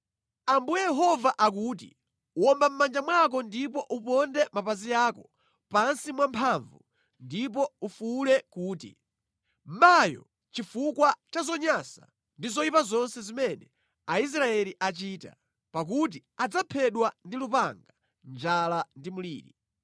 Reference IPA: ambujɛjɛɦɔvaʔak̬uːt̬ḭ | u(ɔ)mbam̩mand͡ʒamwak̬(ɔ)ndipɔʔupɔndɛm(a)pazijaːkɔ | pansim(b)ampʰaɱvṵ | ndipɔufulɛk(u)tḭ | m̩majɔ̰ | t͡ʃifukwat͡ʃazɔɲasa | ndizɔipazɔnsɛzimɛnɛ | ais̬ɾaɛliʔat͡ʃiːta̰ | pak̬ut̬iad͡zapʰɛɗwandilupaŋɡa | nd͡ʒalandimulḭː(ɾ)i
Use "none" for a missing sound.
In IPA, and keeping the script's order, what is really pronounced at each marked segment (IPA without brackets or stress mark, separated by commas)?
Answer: ɔ, ɔ, a, w, uː, ɾ